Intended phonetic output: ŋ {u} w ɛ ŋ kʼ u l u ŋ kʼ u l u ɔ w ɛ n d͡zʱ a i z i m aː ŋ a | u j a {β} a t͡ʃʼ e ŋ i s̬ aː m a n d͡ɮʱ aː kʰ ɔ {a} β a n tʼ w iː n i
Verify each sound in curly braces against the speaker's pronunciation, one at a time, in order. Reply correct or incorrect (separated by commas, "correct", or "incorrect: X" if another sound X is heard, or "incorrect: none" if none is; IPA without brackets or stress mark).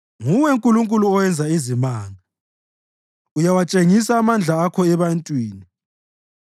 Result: correct, incorrect: w, incorrect: ɛ